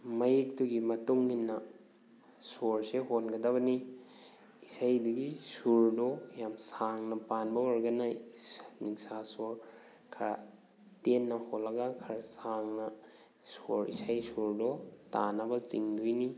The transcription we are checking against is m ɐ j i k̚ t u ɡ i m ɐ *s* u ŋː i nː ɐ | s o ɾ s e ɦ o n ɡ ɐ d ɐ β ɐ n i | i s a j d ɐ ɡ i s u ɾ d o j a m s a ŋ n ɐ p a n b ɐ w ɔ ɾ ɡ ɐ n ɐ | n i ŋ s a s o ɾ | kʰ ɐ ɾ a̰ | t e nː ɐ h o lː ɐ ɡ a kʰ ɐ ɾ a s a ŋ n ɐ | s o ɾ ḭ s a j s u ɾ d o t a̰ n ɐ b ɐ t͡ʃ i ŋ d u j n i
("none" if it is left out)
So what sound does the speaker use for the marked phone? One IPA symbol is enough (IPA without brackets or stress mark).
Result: t